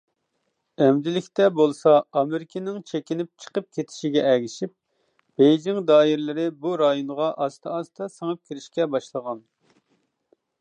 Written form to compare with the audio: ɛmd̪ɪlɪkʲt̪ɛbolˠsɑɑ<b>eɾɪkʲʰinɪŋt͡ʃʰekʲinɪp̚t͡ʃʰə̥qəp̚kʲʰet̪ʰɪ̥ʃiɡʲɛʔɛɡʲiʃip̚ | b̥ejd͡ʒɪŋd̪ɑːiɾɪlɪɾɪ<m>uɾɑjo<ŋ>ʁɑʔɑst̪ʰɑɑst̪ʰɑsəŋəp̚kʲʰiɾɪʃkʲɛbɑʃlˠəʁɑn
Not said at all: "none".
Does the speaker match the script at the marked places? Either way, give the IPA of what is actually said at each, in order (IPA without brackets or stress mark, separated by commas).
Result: m, b, n